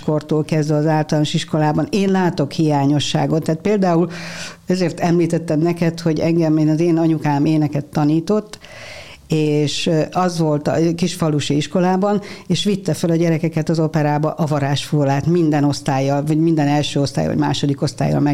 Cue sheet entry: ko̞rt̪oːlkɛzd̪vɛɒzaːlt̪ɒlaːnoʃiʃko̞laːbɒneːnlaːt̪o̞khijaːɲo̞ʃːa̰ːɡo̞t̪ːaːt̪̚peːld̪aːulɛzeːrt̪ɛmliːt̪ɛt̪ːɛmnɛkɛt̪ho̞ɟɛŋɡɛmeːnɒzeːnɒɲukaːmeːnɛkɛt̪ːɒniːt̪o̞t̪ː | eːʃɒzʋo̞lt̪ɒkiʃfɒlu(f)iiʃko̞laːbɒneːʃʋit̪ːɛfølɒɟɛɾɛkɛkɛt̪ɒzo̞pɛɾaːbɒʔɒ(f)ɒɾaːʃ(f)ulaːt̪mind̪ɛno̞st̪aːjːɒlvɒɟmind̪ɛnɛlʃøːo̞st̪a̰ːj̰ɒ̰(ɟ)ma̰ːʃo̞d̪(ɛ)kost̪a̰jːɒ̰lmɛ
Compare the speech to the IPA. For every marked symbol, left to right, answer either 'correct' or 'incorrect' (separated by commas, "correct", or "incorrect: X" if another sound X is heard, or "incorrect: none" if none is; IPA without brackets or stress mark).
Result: incorrect: ʃ, incorrect: v, correct, correct, incorrect: i